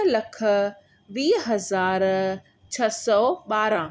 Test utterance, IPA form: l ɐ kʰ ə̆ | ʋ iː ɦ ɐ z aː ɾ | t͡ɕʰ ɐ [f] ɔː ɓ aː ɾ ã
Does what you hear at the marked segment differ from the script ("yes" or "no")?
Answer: yes